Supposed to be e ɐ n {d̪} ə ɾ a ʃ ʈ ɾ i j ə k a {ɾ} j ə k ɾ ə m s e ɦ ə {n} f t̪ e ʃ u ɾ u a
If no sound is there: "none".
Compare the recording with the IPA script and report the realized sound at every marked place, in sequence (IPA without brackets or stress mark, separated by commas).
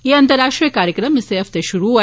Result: t̪, ɾ, none